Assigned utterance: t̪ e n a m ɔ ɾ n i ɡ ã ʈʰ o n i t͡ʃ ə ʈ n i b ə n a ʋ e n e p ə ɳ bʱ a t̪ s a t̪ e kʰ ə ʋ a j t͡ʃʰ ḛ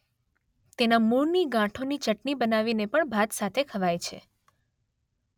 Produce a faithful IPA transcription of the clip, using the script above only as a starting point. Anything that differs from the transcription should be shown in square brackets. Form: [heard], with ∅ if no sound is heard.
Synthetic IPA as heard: t̪ e n a m [u] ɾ n i ɡ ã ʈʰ o n i t͡ʃ ə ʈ n i b ə n a ʋ [i] n e p ə ɳ bʱ a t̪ s a [t̪ʰ] e kʰ ə ʋ a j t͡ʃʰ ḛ

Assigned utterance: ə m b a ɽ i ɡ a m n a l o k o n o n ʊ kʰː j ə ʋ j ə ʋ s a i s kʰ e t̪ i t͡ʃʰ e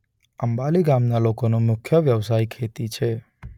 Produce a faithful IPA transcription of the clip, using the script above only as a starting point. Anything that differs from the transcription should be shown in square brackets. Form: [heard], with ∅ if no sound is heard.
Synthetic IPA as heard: ə m b a [l] i ɡ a m n a l o k o n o [m] ʊ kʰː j ə ʋ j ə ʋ s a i [∅] kʰ e t̪ i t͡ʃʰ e

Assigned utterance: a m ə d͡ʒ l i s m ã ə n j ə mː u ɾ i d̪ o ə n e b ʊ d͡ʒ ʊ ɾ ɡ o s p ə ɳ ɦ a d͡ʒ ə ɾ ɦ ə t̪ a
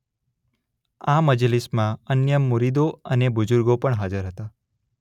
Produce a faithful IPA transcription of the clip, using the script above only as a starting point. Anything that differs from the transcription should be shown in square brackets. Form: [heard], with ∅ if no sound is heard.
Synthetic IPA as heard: a m ə d͡ʒ l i s m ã ə n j ə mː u ɾ i d̪ o ə n e b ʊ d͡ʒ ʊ ɾ ɡ o [∅] p ə ɳ ɦ a d͡ʒ ə ɾ ɦ ə t̪ a

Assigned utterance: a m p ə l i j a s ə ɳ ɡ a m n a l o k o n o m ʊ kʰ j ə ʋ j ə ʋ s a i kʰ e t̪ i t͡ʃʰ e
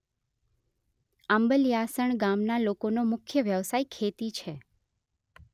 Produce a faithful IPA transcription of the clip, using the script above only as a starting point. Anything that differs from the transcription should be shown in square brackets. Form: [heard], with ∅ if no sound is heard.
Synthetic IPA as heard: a m [b] ə l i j a s ə ɳ ɡ a m n a l o k o n o m ʊ kʰ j ə ʋ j ə ʋ s a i kʰ e t̪ i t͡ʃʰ e

